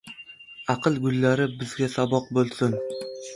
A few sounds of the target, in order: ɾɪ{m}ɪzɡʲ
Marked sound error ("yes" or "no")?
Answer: yes